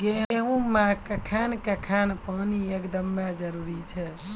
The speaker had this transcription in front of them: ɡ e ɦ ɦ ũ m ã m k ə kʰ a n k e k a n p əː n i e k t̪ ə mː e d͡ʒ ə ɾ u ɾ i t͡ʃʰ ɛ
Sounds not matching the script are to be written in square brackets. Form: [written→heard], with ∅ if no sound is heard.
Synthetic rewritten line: ɡ e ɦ ɦ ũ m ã [m→∅] k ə kʰ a n k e [k→kʰ] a n p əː n i e k [t̪→d̪] ə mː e d͡ʒ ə ɾ u ɾ i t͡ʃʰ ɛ